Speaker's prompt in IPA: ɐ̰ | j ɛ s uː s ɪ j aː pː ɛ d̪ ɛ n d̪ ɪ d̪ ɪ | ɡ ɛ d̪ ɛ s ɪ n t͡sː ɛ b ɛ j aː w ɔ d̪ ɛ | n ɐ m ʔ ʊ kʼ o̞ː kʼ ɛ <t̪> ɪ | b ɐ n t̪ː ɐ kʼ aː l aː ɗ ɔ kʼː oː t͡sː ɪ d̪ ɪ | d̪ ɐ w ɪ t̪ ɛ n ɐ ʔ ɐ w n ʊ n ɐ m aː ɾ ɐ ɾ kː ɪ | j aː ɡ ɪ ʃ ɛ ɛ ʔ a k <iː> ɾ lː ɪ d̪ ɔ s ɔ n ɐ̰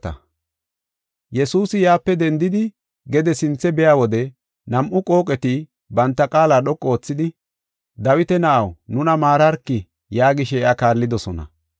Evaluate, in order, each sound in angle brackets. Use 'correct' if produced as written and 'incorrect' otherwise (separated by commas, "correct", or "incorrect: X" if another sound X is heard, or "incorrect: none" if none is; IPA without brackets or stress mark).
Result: correct, incorrect: aː